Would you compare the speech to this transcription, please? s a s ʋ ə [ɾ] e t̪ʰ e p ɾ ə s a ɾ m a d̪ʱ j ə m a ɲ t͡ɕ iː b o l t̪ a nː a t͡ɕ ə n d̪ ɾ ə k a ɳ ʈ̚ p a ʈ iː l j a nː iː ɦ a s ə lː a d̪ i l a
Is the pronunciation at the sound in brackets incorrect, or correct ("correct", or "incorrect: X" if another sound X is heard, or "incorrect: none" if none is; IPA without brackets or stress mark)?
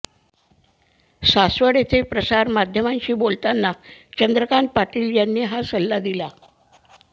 incorrect: ɽ